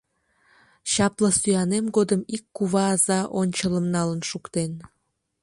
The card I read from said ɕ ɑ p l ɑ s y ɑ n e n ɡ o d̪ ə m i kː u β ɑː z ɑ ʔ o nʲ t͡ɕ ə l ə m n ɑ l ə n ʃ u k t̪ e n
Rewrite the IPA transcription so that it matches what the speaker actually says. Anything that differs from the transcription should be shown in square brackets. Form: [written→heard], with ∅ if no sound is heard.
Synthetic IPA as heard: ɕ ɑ p l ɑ s y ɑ n e [n→m] ɡ o d̪ ə m i kː u β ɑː z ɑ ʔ o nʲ t͡ɕ ə l ə m n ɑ l ə n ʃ u k t̪ e n